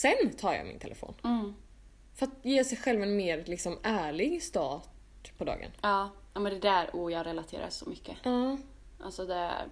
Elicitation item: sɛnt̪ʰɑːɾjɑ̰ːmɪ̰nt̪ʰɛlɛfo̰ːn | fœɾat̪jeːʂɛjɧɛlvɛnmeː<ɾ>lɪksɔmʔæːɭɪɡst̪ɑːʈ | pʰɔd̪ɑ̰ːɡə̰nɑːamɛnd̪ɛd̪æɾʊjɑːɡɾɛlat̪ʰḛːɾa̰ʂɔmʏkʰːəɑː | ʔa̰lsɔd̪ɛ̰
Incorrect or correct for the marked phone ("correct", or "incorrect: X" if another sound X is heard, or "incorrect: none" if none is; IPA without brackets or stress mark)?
correct